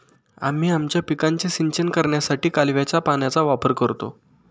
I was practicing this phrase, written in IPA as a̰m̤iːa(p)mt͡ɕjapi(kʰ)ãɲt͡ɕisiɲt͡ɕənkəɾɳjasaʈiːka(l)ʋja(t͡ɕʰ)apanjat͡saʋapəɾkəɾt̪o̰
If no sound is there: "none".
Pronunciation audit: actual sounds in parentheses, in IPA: none, k, l, t͡ɕ

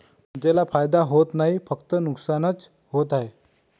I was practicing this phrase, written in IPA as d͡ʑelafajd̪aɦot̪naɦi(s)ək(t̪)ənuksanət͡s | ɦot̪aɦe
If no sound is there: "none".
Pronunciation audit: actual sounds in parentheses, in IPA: f, t̪

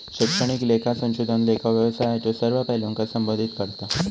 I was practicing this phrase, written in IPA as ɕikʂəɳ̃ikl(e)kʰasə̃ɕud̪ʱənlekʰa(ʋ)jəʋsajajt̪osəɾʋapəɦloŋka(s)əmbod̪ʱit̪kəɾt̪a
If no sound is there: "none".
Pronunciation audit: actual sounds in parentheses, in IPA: e, ʋ, s

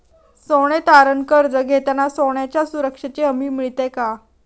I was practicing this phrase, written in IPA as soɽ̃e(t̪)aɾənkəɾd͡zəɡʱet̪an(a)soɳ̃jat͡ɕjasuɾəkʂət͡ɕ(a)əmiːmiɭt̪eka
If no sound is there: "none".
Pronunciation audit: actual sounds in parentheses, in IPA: t̪, a, e

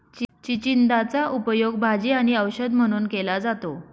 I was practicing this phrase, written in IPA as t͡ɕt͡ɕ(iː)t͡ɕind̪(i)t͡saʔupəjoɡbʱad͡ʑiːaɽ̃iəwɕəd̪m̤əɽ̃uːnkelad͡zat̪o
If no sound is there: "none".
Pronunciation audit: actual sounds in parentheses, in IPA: i, a

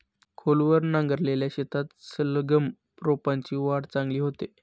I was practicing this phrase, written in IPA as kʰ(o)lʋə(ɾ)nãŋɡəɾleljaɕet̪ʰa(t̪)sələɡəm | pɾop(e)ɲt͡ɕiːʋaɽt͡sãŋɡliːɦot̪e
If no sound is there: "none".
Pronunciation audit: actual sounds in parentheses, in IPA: o, ɾ, t̪, a

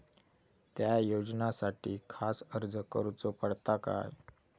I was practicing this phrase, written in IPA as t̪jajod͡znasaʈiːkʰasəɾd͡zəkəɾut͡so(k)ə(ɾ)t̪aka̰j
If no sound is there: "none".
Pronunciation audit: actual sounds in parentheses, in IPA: p, ɽ

